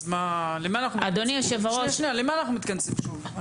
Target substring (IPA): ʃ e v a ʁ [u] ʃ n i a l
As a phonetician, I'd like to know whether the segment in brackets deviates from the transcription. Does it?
yes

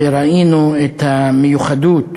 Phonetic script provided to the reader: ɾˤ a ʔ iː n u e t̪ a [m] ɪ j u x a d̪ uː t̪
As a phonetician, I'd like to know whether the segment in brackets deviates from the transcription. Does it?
no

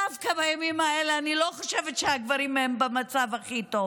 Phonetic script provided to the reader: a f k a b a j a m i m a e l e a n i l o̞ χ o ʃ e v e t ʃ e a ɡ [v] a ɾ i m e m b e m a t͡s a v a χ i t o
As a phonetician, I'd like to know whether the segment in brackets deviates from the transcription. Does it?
no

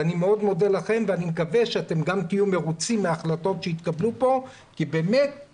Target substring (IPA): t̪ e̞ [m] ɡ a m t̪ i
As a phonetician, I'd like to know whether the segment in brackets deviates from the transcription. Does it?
no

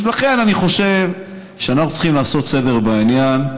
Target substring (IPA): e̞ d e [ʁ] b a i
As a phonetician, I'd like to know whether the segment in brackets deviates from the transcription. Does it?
no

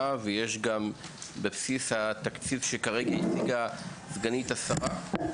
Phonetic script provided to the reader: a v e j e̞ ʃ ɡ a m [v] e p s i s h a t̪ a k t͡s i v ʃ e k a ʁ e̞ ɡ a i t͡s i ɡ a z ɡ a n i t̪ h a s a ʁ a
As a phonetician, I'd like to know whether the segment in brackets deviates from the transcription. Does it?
yes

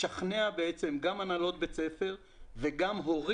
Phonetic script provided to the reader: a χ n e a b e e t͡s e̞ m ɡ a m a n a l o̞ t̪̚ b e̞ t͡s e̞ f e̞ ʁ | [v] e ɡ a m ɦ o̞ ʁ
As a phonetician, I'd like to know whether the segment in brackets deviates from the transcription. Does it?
no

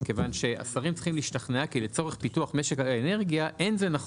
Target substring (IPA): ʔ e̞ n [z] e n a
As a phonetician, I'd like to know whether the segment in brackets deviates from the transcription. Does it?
no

